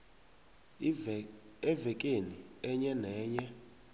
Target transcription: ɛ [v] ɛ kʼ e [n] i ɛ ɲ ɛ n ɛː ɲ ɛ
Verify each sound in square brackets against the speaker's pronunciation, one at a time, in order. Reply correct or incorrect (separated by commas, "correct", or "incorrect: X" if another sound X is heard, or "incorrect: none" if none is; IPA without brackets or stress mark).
correct, correct